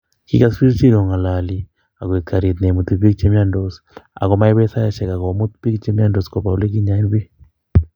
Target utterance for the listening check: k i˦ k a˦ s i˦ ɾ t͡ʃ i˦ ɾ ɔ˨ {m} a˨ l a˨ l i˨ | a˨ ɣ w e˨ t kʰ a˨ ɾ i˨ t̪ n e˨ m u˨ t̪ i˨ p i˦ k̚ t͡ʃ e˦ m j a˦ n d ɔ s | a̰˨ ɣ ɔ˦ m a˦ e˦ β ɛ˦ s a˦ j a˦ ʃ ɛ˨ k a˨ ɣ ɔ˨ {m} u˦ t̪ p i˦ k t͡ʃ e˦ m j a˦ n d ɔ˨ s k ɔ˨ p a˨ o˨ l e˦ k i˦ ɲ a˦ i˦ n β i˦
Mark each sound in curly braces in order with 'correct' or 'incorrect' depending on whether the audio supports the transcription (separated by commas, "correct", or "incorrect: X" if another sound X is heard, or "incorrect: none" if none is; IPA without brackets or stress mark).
incorrect: ŋ, correct